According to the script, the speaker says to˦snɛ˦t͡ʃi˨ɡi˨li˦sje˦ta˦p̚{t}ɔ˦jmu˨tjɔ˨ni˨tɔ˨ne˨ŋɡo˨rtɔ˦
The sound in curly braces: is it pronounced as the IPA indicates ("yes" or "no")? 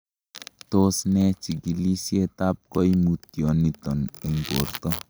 no